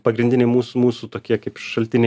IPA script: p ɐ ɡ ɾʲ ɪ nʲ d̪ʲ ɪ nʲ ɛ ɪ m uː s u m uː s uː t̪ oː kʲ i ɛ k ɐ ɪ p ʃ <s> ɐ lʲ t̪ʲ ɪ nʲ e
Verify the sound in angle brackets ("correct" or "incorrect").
incorrect